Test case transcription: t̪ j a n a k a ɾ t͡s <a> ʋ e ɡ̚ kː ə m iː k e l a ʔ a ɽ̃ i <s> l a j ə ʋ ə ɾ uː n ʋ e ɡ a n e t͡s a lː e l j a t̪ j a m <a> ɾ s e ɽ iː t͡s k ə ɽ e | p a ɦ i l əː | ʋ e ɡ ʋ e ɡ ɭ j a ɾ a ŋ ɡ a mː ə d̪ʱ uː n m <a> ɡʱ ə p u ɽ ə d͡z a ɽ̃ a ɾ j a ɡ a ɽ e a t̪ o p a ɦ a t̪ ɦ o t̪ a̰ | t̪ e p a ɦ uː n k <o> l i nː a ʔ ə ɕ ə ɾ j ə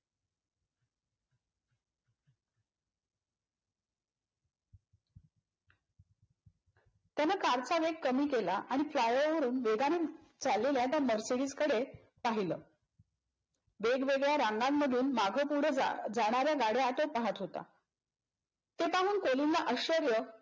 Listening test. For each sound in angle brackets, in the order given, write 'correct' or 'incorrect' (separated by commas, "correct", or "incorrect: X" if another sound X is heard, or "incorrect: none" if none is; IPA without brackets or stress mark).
correct, incorrect: f, incorrect: ə, correct, correct